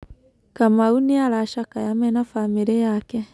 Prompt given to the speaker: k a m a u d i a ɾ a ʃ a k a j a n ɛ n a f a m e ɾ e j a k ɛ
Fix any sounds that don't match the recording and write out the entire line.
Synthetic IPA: k a m a u n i a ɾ a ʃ a k a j a m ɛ n a f a m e ɾ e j a k ɛ

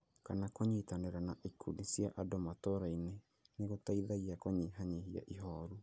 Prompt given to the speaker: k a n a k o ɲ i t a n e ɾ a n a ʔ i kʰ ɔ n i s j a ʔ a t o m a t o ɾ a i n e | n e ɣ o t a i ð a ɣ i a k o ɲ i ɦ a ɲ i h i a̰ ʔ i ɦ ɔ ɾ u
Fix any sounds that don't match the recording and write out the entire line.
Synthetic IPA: k a n a k o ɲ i t a n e ɾ a n a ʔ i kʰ u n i s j a ʔ a d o m a t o ɾ a i n e | n e ɣ o t a i ð a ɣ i a k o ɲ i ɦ a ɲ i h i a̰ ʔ i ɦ ɔ ɾ u

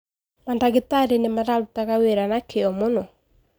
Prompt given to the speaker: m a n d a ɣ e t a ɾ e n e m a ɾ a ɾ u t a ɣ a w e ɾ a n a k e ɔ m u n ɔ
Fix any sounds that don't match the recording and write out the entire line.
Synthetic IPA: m a n d a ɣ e t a ɾ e n e m a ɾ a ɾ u t a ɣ a w e ɾ a n a k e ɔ m o n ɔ

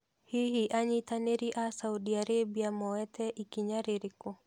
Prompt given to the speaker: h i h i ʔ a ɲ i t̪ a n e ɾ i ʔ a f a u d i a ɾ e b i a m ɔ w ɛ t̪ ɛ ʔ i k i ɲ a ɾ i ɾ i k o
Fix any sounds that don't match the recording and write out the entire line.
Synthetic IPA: h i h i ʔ a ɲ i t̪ a n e ɾ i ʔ a s a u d i a ɾ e b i a m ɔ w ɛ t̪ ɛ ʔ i k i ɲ a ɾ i ɾ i k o

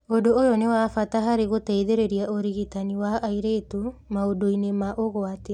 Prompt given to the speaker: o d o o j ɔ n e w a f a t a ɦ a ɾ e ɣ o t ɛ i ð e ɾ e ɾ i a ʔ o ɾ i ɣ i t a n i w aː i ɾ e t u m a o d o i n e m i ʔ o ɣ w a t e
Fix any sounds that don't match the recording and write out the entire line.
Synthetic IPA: o d o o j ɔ n e w a f a t a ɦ a ɾ e ɣ o t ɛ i ð e ɾ e ɾ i a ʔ o ɾ i ɣ i t a n i w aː i ɾ e t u m a o d o i n e m a ʔ o ɣ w a t e

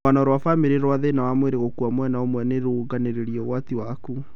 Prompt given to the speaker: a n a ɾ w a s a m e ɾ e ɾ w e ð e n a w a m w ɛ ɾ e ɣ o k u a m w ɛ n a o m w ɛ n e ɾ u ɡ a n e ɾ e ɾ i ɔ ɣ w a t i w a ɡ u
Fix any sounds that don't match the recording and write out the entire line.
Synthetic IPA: a n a ɾ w a f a m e ɾ e ɾ w a ð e n a w a m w e ɾ e ɣ o k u a m w ɛ n a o m w ɛ n e ɾ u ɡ a n e ɾ e ɾ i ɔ ɣ w a t i w a k u

